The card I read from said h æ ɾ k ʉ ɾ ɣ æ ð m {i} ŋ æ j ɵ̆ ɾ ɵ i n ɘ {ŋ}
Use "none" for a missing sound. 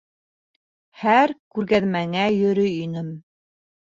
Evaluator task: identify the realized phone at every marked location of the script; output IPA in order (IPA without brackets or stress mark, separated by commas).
æ, m